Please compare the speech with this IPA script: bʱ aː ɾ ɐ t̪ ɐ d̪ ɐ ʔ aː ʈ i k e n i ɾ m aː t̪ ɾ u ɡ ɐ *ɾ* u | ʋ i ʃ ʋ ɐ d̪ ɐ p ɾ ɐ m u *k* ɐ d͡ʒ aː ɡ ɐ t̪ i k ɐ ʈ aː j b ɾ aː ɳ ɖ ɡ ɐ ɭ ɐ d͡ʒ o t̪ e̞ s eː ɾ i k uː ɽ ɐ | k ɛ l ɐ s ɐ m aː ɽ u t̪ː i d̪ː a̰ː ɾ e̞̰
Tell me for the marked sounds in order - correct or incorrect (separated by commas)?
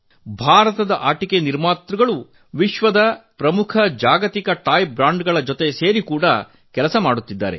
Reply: incorrect, incorrect